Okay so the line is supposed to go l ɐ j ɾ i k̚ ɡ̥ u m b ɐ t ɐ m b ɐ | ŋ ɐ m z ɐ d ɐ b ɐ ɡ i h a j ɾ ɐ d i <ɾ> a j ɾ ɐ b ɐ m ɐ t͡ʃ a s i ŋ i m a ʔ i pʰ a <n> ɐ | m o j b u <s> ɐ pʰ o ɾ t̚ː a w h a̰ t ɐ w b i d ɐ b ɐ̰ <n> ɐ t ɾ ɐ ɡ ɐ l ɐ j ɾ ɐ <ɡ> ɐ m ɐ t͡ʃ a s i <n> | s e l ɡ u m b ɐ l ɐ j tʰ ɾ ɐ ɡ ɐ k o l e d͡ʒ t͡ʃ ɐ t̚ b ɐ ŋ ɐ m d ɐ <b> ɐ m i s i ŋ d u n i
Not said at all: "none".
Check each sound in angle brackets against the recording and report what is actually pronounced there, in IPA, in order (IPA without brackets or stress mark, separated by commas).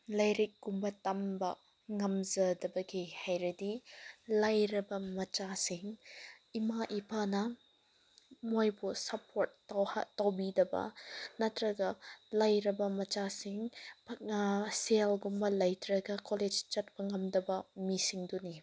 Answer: l, n, s, n, b, ŋ, b